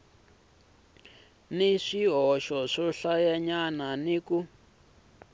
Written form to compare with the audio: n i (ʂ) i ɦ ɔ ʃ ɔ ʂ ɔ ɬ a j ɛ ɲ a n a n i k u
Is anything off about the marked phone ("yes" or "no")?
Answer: no